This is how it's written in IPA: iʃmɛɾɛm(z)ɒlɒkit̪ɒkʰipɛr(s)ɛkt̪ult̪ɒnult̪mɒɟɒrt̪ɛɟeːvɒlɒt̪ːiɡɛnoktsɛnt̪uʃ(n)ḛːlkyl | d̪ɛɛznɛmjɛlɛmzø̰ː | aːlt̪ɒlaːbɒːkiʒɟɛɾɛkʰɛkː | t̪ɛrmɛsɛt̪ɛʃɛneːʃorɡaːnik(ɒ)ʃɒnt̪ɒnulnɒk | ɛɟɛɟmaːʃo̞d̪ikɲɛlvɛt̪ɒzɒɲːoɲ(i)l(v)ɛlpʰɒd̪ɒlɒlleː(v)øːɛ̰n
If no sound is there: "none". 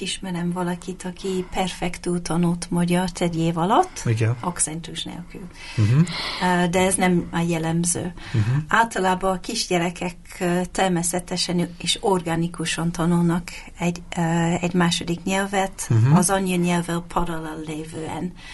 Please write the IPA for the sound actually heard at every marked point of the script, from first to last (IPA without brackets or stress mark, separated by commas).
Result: v, f, n, u, ɛ, v, v